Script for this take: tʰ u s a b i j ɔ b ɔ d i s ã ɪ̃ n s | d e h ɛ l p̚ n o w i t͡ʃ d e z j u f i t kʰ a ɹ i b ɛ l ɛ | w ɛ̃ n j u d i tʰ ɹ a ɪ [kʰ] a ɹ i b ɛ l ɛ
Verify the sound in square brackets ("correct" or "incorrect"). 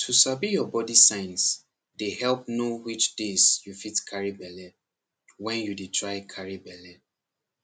correct